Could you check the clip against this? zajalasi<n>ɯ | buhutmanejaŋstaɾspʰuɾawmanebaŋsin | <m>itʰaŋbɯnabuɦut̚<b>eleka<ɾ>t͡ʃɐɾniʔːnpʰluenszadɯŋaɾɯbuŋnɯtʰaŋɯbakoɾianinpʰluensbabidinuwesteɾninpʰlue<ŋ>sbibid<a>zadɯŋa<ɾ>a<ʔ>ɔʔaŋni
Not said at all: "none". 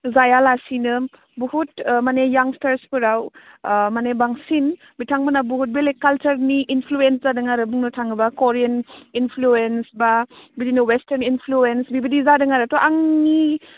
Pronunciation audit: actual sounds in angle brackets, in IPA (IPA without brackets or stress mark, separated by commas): n, b, b, l, n, i, ɾ, t